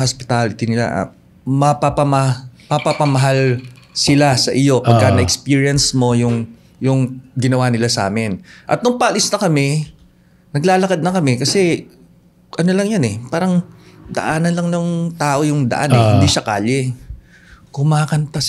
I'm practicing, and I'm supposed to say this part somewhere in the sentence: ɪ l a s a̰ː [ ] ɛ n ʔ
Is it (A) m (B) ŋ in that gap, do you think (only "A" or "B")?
A